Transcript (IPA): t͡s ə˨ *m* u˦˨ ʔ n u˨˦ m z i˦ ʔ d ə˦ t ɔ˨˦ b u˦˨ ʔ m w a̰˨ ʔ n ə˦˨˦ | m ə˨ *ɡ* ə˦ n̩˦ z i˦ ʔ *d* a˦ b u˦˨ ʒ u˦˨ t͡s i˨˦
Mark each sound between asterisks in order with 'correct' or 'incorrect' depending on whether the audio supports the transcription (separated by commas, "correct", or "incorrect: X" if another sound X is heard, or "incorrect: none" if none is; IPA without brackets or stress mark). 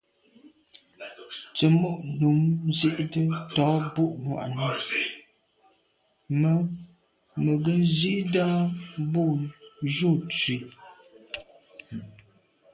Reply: correct, correct, correct